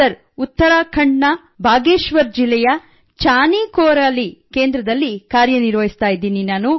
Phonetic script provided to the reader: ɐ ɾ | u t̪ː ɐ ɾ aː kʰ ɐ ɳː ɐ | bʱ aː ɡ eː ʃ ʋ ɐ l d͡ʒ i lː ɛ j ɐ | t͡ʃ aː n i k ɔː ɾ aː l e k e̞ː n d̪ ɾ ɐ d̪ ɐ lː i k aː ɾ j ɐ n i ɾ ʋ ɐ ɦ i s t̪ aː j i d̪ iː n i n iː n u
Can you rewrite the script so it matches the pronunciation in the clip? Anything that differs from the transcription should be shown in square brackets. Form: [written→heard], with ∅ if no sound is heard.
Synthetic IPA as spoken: ɐ ɾ | u t̪ː ɐ ɾ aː kʰ ɐ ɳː ɐ | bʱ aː ɡ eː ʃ ʋ ɐ [l→ɾ] d͡ʒ i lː ɛ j ɐ | t͡ʃ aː n i k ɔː ɾ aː l [e→i] k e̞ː n d̪ ɾ ɐ d̪ ɐ lː i k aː ɾ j ɐ n i ɾ ʋ ɐ ɦ i s t̪ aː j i d̪ iː n i n [iː→aː] n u